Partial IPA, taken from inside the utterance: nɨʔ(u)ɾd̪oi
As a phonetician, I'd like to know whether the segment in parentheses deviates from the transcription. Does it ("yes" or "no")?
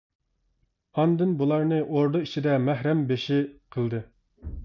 yes